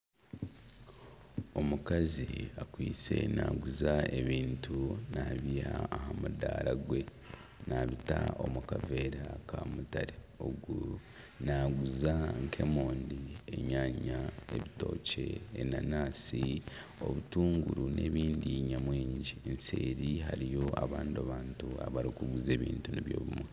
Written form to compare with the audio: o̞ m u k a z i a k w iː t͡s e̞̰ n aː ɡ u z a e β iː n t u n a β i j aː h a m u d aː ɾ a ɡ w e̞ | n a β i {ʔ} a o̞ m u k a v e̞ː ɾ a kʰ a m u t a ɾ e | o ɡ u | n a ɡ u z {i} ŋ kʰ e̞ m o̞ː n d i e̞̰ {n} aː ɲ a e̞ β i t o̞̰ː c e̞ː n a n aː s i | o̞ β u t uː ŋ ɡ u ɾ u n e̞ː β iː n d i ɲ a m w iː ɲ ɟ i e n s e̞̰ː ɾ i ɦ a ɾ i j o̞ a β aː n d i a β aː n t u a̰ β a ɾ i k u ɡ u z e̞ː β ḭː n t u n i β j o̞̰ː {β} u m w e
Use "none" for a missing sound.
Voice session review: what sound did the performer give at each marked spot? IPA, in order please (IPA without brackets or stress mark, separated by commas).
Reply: t, a, ɲ, β